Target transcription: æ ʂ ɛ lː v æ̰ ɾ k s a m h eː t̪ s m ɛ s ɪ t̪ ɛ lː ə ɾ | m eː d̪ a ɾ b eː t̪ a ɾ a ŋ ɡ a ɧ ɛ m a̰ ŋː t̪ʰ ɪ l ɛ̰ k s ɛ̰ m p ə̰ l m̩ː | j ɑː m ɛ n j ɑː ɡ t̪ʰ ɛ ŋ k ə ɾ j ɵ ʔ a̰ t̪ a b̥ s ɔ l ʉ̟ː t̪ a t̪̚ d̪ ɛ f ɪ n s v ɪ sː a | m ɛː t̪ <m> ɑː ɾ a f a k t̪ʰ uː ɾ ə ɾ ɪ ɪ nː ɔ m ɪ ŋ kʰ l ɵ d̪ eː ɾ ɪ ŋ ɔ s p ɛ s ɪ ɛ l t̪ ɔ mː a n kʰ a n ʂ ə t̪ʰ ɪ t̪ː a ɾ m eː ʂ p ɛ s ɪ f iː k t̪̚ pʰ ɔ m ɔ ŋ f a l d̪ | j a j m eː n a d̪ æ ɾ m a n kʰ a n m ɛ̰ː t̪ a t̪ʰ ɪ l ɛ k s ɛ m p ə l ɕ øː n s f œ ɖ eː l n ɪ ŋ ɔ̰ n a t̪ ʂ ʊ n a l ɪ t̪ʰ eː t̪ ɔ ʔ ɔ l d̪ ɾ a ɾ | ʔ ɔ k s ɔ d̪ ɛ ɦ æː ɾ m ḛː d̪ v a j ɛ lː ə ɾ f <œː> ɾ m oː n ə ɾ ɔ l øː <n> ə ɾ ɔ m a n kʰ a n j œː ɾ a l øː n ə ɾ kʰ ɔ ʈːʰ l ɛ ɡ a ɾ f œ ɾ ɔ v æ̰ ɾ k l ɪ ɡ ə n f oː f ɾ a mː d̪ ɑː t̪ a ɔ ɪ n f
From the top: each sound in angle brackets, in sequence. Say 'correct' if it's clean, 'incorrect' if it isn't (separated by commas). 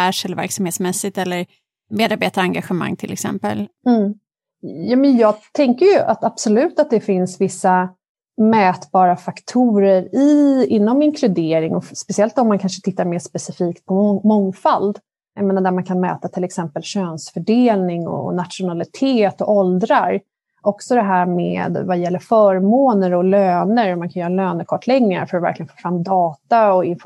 incorrect, correct, correct